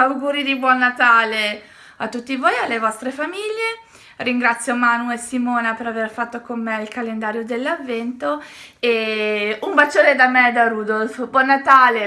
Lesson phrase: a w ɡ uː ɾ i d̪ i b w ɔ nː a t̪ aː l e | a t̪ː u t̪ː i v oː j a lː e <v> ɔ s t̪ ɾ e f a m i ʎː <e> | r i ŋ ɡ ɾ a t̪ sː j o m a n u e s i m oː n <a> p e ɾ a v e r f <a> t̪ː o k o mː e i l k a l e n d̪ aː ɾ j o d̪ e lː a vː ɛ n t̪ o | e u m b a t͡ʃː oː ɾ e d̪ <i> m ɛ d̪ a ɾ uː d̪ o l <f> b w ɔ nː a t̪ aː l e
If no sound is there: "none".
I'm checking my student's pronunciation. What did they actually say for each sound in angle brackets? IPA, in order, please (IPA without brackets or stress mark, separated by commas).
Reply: v, e, a, a, a, f